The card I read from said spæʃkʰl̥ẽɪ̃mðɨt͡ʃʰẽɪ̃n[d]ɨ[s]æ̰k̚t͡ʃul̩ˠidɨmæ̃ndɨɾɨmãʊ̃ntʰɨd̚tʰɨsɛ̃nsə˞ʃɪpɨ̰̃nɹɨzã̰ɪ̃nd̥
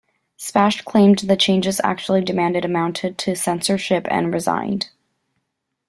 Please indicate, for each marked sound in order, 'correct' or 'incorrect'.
incorrect, incorrect

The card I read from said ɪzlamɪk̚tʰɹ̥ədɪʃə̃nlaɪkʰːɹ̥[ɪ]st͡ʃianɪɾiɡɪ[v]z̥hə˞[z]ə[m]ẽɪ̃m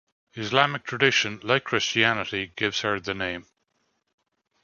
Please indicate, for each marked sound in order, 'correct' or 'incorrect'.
correct, correct, incorrect, incorrect

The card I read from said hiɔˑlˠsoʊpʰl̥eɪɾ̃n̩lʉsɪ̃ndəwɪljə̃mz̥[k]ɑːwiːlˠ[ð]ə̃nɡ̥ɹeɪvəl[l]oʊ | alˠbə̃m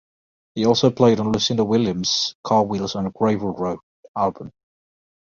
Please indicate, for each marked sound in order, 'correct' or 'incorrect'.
incorrect, incorrect, incorrect

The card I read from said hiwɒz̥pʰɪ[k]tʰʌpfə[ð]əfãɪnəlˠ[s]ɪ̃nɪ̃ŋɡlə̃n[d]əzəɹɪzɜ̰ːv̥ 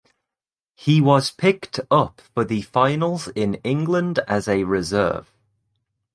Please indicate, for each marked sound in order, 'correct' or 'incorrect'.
correct, correct, incorrect, correct

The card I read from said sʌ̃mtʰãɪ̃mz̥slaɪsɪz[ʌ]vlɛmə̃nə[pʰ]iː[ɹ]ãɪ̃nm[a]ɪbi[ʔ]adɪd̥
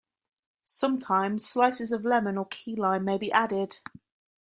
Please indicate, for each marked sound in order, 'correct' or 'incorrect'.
incorrect, incorrect, incorrect, incorrect, correct

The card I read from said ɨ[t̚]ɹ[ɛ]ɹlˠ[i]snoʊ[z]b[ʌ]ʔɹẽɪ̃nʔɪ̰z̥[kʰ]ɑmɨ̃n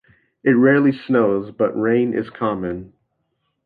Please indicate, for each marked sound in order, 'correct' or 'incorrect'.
correct, correct, correct, correct, correct, correct

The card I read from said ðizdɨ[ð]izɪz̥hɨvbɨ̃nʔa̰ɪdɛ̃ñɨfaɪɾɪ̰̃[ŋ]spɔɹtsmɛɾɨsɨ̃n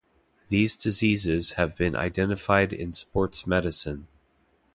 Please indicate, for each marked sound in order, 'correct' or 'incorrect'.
incorrect, incorrect

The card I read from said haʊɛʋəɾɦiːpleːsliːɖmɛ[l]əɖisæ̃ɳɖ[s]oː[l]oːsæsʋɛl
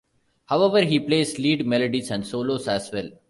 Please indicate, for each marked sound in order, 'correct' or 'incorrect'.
correct, correct, correct

